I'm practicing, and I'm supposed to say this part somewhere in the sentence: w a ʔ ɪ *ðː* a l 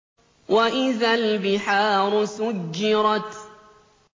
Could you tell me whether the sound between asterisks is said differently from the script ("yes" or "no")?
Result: yes